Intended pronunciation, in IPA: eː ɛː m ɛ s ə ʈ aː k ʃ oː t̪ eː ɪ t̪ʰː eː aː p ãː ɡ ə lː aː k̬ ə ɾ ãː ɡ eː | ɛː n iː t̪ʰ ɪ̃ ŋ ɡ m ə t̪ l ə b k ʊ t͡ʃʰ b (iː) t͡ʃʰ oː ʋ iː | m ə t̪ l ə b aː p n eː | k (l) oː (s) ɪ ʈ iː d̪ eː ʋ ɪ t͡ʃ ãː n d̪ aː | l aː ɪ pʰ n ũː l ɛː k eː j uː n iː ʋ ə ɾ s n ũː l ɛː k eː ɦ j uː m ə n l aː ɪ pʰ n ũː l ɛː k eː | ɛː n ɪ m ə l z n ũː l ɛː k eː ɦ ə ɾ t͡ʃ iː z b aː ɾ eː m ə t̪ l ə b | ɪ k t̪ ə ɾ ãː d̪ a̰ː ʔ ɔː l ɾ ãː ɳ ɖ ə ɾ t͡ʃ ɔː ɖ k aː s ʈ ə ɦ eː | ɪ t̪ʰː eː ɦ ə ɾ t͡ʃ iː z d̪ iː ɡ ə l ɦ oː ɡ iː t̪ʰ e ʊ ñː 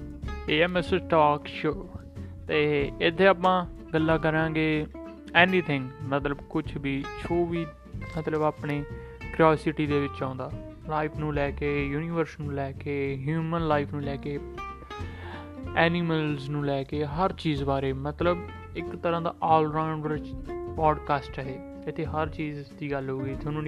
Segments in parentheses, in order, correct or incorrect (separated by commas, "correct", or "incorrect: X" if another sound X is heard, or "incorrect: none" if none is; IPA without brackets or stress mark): correct, incorrect: ɾ, correct